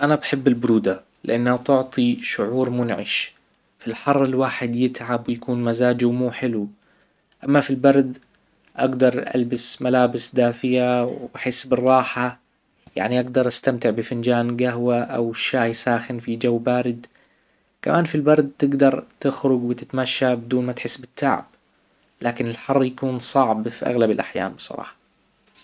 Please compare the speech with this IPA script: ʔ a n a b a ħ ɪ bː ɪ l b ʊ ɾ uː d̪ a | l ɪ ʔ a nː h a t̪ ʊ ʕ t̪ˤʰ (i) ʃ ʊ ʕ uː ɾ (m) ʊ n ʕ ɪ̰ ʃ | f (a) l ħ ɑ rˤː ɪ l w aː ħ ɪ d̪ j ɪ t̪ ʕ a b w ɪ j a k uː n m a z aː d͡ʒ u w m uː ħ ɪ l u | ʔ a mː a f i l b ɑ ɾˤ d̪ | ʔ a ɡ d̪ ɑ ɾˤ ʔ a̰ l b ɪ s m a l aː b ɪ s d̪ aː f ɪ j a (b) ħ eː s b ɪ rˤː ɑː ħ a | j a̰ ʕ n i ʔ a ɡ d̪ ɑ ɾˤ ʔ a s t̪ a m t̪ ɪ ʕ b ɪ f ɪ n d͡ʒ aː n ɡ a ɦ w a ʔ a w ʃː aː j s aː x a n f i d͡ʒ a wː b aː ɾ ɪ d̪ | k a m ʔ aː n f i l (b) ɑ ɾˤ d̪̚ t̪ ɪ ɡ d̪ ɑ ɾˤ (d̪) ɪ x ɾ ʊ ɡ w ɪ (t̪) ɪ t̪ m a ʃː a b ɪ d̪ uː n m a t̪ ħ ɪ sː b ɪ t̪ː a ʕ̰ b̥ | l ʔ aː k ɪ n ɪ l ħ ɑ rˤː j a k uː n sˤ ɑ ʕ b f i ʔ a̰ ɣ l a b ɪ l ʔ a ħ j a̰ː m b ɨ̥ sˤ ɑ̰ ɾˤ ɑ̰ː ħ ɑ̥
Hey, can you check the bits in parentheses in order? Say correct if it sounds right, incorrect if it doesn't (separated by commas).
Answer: correct, correct, incorrect, incorrect, correct, incorrect, correct